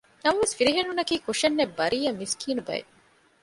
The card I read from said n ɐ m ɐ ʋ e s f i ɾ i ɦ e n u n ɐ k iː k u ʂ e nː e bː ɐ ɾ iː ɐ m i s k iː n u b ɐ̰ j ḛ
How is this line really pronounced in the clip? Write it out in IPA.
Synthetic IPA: n ɐ m ɐ ʋ e s f i ɾ i ɦ e n u n ɐ k iː k u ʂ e nː e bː ɐ ɾ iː ɐ m i s k iː n u b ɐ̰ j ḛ